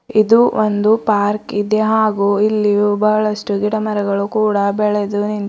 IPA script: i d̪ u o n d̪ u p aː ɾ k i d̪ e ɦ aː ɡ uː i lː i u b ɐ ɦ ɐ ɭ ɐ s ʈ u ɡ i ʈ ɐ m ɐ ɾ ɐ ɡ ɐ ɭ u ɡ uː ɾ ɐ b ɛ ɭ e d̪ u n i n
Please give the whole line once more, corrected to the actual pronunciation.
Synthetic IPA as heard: i d̪ u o n d̪ u p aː ɾ k i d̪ e ɦ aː ɡ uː i lː i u b ɐ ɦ ɐ ɭ ɐ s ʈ u ɡ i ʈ ɐ m ɐ ɾ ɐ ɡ ɐ ɭ u k uː ɽ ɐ b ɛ ɭ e d̪ u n i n